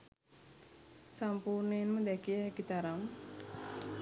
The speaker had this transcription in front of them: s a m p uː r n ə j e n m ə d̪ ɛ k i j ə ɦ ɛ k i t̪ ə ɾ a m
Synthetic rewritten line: s a m p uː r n ə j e n m ə d̪ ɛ k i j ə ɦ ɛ k i t̪ a ɾ a m

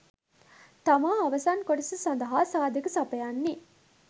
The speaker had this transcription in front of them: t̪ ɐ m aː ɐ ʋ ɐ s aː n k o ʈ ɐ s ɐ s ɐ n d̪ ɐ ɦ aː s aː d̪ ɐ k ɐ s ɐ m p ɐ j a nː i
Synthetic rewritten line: t̪ ɐ m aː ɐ ʋ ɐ s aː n k o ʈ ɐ s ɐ s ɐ n d̪ ɐ ɦ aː s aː d̪ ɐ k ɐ s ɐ p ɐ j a nː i

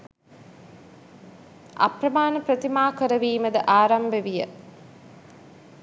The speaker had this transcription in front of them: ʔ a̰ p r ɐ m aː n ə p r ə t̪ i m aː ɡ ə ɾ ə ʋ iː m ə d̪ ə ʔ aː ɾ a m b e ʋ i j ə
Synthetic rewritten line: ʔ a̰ p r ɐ m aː n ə p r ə t̪ i m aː k ə ɾ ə ʋ iː m ə d̪ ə ʔ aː ɾ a m b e ʋ i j ə

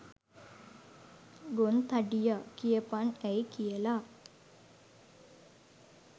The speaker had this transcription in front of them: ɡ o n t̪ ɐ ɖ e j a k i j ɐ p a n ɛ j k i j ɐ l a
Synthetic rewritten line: ɡ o n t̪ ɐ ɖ i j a k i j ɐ p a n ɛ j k i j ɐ l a

